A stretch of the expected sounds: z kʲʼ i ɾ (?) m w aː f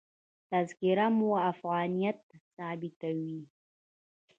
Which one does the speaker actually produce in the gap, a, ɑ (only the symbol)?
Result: a